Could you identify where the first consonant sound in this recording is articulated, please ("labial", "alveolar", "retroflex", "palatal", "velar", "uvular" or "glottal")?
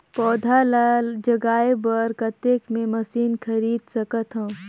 labial